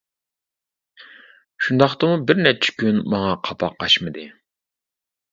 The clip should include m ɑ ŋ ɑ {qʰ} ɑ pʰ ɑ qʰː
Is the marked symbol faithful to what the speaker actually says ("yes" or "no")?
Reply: yes